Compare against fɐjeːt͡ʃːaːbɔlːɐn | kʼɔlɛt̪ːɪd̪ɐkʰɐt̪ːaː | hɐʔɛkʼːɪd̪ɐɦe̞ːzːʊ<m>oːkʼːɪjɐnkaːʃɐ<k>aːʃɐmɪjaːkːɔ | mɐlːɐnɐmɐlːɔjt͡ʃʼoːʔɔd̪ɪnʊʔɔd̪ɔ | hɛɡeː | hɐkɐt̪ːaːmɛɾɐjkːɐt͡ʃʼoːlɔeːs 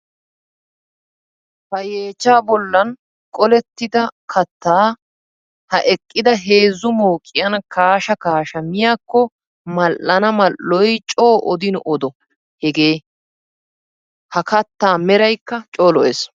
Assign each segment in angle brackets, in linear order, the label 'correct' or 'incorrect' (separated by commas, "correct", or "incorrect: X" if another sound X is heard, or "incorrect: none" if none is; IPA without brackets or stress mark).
correct, correct